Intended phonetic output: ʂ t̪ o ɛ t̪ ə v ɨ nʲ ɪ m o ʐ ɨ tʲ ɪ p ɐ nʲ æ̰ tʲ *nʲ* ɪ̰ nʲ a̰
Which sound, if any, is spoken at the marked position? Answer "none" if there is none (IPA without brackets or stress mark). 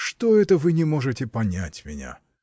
mʲ